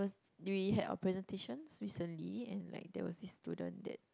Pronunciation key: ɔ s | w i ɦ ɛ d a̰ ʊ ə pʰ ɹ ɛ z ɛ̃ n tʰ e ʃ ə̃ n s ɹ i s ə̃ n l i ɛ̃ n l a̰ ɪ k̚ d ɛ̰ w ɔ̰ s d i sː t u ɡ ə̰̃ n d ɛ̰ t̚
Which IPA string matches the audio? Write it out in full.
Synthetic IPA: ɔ s | w i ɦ ɛ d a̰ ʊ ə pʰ ɹ ɛ z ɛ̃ n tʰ e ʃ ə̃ n s ɹ i s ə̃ n l i ɛ̃ n l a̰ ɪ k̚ d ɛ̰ w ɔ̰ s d i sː t u d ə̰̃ n d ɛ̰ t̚